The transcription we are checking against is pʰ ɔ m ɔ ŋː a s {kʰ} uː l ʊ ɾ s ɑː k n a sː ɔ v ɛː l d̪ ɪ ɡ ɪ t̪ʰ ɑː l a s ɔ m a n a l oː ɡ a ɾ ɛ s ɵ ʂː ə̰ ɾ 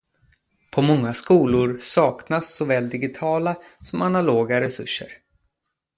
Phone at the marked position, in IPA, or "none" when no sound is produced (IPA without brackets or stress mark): k